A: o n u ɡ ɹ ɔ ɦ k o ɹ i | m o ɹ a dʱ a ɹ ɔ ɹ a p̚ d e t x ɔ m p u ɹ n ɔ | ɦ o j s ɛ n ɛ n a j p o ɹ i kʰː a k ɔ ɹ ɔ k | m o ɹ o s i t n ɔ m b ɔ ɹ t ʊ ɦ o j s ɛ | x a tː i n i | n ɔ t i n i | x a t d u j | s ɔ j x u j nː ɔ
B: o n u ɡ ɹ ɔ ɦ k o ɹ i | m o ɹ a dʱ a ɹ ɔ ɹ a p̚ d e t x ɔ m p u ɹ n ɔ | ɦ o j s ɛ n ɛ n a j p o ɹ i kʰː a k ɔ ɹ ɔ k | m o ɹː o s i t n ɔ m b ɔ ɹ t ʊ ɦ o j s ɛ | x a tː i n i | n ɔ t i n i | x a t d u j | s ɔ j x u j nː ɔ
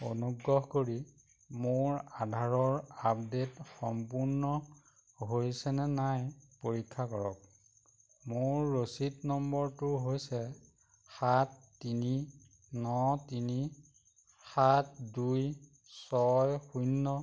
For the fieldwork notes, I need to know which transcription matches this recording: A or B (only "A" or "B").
B